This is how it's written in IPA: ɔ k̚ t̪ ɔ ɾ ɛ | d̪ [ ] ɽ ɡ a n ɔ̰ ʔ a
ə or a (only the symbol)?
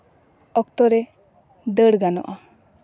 ə